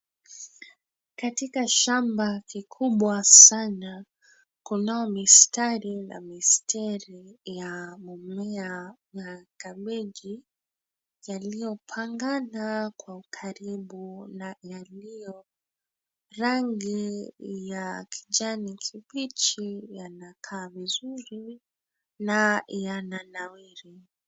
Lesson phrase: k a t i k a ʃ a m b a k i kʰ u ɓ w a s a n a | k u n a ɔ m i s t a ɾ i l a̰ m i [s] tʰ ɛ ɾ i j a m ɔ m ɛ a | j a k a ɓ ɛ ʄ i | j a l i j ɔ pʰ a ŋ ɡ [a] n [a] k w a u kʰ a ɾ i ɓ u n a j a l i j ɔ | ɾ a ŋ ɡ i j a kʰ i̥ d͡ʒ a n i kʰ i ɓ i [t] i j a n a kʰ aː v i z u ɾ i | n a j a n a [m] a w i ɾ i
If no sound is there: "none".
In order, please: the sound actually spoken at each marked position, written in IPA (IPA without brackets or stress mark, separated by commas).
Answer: s, a, a, t͡ʃ, n